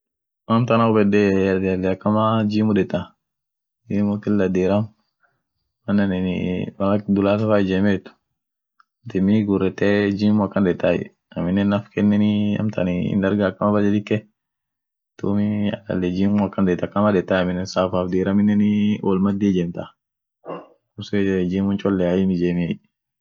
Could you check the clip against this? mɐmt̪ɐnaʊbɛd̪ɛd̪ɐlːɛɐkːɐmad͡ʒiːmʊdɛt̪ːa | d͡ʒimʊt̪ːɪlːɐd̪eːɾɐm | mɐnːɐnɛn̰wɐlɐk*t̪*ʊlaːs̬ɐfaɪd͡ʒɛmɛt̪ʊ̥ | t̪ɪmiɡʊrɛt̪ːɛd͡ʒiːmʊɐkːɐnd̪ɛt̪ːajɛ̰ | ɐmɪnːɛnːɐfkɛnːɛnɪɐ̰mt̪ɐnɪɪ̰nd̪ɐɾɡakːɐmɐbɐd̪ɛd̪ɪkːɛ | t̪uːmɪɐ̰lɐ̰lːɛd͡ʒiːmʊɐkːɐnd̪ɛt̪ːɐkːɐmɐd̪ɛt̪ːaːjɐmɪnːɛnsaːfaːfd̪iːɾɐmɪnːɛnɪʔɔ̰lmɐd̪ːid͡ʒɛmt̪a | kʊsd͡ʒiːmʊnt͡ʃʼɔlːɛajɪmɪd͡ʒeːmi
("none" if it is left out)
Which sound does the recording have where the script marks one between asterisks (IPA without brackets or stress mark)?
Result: d̪